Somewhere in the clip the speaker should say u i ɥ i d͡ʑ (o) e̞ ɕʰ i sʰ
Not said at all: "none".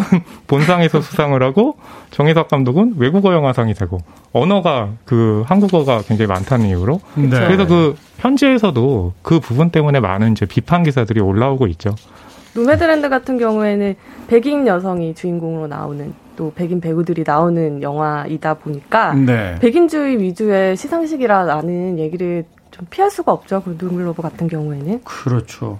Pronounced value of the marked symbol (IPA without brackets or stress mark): u